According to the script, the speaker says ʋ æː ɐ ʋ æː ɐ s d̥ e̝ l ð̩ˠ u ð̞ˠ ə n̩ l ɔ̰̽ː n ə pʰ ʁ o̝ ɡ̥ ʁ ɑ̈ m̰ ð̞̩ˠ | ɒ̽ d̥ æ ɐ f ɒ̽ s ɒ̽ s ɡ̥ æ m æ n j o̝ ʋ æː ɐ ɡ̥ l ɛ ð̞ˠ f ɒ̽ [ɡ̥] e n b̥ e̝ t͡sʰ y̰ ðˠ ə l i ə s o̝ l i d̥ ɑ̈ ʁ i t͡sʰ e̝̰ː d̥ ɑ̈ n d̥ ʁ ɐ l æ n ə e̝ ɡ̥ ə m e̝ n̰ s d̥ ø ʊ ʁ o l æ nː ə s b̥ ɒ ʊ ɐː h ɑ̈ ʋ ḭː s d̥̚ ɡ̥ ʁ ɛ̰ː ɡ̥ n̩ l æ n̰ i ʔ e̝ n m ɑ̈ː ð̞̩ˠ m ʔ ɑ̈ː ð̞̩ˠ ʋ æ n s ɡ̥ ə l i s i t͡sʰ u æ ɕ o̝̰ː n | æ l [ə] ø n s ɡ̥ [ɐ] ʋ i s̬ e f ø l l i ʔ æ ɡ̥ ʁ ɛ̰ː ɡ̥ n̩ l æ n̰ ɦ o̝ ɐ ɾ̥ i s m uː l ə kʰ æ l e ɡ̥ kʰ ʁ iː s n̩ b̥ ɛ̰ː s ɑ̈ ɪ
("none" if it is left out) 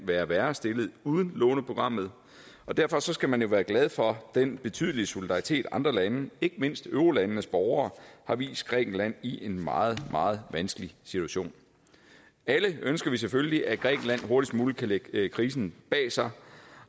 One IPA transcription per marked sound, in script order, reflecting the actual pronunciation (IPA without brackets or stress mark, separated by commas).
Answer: d̥, ə, ɐ